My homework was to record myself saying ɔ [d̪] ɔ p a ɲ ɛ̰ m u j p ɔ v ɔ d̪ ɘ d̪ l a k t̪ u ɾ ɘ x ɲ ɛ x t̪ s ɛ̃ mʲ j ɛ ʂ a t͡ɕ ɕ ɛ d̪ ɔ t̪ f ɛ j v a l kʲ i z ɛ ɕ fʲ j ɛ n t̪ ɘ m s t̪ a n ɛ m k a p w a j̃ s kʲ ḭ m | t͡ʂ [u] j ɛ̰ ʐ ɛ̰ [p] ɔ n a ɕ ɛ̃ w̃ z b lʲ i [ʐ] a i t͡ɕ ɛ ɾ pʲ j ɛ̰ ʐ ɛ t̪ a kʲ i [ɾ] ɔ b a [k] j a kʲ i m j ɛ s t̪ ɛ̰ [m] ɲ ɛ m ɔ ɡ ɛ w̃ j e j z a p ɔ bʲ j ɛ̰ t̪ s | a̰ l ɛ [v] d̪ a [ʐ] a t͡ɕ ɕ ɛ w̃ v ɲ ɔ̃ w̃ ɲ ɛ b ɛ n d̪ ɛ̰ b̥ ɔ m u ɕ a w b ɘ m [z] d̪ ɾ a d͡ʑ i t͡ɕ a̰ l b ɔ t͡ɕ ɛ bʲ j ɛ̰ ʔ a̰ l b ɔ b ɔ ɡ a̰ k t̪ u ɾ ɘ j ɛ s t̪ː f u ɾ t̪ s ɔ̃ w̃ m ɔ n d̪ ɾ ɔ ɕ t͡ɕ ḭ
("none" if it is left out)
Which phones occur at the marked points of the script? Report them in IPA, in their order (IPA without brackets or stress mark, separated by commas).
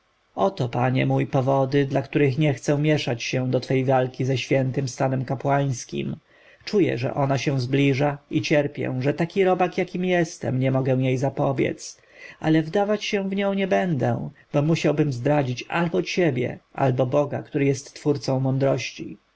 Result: t̪, u, ʔ, ʐ, ɾ, k, m, v, v, z